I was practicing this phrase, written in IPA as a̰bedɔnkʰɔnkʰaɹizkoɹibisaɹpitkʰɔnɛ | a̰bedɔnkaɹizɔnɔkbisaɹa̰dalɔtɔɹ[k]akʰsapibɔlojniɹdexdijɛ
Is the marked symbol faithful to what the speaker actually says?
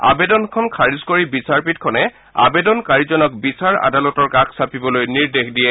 yes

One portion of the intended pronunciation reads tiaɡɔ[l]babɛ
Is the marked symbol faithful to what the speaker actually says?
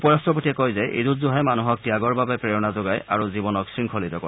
no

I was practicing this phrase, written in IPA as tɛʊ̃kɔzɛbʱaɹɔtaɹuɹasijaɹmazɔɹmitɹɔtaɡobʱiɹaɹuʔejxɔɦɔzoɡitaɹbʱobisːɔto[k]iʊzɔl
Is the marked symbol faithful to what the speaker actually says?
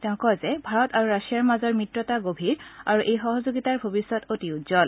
no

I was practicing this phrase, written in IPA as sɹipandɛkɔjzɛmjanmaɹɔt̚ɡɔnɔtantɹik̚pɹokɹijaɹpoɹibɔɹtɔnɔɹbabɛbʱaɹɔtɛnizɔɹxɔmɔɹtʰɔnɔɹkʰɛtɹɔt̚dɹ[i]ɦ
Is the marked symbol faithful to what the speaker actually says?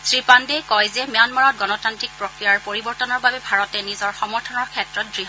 yes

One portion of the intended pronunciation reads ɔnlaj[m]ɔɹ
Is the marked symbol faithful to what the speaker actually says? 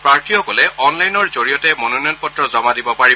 no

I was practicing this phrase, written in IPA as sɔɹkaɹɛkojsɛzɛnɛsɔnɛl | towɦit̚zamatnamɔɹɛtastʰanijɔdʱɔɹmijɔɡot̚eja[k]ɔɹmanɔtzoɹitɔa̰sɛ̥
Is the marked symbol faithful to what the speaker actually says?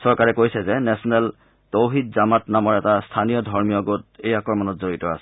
yes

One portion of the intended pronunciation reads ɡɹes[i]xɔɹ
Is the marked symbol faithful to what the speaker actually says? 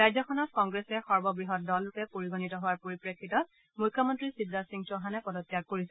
no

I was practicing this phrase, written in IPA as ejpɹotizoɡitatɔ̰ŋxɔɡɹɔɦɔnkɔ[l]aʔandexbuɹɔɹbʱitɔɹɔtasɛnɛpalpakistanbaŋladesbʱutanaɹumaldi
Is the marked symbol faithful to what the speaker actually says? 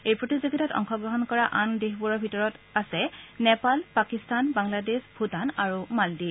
no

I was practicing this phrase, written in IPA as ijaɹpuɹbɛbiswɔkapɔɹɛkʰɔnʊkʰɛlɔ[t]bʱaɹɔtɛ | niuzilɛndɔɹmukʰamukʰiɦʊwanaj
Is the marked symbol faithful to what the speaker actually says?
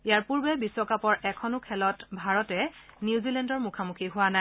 yes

